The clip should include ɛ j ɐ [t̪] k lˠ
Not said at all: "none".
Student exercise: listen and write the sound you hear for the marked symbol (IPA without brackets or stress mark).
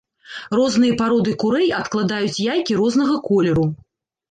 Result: t̪